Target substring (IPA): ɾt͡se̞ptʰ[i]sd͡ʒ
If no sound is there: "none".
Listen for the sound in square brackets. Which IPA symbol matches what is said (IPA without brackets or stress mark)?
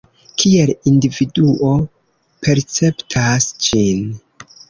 a